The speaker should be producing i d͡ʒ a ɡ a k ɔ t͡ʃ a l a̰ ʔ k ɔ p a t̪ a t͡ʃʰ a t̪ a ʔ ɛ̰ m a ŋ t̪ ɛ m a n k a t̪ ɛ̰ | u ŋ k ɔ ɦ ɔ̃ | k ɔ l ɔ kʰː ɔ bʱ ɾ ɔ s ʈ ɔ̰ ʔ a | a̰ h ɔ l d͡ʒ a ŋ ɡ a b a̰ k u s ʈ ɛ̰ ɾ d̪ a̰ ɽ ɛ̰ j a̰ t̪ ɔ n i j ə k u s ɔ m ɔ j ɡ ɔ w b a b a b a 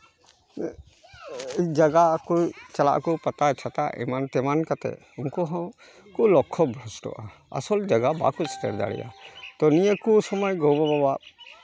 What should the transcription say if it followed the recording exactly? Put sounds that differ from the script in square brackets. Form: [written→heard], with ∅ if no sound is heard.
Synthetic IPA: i d͡ʒ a ɡ a k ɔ t͡ʃ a l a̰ ʔ k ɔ p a t̪ a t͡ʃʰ a t̪ a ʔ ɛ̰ m a [ŋ→n] t̪ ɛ m a n k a t̪ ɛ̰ | u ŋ k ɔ ɦ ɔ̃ | k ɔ l ɔ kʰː ɔ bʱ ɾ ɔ s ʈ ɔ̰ ʔ a | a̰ [h→s] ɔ l d͡ʒ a [ŋ→∅] ɡ a b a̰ k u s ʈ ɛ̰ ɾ d̪ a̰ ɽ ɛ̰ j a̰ t̪ ɔ n i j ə k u s ɔ m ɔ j ɡ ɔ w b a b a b a